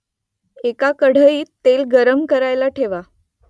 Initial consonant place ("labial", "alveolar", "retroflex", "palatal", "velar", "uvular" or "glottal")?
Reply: velar